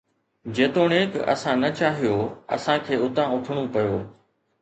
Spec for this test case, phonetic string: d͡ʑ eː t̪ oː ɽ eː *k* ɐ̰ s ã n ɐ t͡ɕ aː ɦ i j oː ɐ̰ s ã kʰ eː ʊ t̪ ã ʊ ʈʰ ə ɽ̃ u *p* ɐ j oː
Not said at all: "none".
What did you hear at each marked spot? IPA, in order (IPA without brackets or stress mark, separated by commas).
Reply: k, p